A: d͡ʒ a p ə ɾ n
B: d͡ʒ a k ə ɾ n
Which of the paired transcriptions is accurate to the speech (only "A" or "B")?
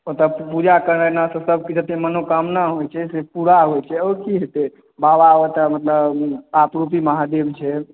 B